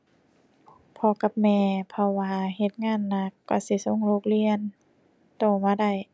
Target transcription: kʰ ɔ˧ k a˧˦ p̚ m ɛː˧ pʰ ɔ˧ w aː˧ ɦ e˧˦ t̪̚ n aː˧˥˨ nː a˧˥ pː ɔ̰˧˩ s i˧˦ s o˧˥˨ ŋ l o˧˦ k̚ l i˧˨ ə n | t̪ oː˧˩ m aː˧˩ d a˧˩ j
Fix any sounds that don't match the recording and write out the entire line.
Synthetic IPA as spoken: pʰ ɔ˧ k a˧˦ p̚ m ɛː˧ pʰ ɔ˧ w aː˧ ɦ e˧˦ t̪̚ ŋ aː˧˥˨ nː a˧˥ kː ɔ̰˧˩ s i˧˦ s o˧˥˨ ŋ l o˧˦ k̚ l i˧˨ ə n | t̪ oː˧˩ m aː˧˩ d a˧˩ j